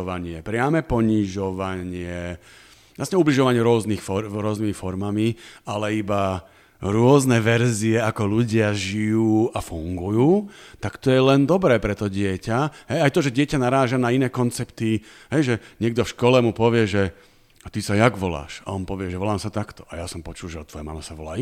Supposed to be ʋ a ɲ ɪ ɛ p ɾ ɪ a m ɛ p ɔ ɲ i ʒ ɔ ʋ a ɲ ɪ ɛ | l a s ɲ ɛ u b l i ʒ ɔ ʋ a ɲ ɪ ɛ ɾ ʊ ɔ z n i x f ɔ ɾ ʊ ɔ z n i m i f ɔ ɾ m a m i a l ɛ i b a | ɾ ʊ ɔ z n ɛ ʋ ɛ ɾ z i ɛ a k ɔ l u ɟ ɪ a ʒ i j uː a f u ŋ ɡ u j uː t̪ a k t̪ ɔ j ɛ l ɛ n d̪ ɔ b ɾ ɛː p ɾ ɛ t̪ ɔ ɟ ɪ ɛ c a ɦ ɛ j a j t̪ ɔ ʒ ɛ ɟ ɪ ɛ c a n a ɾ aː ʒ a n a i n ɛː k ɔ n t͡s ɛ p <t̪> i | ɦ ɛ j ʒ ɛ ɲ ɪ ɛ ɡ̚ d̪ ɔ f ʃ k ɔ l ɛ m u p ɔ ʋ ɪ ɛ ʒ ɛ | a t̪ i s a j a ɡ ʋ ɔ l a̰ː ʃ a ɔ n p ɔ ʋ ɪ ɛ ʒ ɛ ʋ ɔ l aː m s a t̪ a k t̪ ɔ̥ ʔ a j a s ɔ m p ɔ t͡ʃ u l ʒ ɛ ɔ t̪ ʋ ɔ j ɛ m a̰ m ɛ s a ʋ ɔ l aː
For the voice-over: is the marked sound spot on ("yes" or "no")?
yes